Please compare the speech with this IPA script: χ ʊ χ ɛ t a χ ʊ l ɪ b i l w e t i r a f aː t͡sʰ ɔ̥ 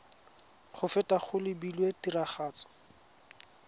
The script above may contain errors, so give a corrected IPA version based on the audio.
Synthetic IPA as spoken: χ ʊ f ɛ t a χ ʊ l ɪ b i l w e t i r a χ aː t͡s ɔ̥